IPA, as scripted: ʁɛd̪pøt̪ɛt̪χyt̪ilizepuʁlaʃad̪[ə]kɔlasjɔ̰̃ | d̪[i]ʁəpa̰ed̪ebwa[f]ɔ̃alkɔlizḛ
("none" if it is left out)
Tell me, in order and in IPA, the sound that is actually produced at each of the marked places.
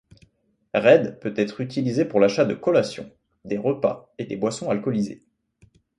ə, e, s

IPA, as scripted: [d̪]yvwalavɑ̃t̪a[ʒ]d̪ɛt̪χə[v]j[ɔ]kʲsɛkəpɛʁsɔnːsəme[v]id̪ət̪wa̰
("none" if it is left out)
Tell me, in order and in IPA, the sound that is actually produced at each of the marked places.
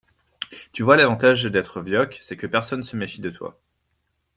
t̪, ʒ, v, ɔ, f

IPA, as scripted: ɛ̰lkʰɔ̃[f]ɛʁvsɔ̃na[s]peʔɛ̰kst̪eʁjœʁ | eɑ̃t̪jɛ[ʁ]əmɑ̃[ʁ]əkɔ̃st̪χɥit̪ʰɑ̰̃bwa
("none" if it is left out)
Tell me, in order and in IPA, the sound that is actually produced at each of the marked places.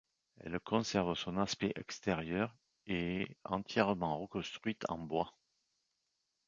s, s, ʁ, ʁ

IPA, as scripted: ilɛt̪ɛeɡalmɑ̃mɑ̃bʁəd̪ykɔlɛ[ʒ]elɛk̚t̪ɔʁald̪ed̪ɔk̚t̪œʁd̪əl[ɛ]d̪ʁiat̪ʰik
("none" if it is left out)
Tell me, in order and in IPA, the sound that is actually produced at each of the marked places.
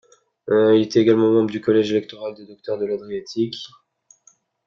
ʒ, a

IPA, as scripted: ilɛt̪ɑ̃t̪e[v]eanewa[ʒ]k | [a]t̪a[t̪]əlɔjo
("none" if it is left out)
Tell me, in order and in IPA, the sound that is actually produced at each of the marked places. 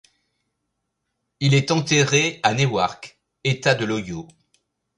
ʁ, ʁ, e, d̪

